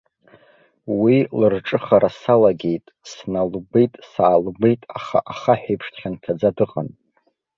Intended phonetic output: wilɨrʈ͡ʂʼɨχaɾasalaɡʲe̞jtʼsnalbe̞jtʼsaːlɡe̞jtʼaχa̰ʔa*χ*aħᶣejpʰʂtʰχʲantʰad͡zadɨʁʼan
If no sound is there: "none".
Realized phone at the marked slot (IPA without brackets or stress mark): χ